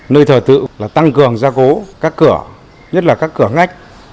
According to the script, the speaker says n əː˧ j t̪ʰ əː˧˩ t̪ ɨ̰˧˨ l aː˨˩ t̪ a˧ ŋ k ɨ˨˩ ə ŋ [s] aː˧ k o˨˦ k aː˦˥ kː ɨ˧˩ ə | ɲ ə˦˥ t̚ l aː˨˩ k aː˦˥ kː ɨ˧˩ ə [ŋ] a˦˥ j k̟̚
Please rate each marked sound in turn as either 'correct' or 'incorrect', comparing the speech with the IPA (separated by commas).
incorrect, correct